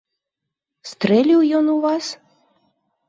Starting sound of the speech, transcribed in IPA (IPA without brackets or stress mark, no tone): s